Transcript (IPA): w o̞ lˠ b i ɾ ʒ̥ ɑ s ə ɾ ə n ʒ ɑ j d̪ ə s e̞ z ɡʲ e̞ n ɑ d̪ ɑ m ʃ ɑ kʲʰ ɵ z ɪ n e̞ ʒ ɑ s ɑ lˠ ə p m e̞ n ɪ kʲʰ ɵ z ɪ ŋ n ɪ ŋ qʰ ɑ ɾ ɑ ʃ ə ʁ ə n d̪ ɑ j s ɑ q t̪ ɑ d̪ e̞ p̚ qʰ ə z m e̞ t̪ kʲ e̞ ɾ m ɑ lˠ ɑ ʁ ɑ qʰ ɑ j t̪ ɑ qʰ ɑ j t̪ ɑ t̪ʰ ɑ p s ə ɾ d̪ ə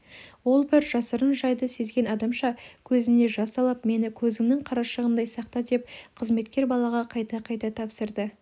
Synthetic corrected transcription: w o̞ lˠ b ɪ ɾ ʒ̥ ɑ s ə ɾ ə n ʒ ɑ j d̪ ə s e̞ z ɡʲ e̞ n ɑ d̪ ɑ m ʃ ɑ kʲʰ ɵ z ɪ n e̞ ʒ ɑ s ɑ lˠ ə p m e̞ n ɪ kʲʰ ɵ z ɪ ŋ n ɪ ŋ qʰ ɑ ɾ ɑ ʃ ə ʁ ə n d̪ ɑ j s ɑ q t̪ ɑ d̪ e̞ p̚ qʰ ə z m e̞ t̪ kʲ e̞ ɾ b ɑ lˠ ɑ ʁ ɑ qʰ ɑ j t̪ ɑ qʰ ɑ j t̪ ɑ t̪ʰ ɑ p s ə ɾ d̪ ə